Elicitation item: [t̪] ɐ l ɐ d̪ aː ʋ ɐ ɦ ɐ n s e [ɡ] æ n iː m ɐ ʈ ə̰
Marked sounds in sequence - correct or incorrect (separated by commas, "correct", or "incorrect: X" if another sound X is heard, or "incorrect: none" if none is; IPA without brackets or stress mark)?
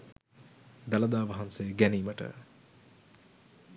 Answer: incorrect: d̪, correct